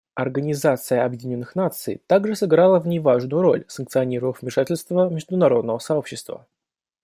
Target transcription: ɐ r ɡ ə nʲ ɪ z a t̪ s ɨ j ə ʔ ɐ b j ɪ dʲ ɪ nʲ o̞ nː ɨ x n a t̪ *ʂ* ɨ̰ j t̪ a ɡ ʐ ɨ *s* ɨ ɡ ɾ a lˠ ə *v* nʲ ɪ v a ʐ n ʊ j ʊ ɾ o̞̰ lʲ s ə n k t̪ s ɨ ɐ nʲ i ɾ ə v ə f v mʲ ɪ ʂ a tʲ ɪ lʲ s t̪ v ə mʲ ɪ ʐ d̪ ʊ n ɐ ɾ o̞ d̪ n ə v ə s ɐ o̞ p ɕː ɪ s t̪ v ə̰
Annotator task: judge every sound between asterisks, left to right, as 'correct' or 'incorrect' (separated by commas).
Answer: incorrect, correct, correct